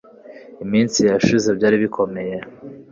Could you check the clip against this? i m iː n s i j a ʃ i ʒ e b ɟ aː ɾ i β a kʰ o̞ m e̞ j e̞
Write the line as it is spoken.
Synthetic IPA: i m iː n s i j a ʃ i z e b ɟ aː ɾ i β i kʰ o̞ m e̞ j e̞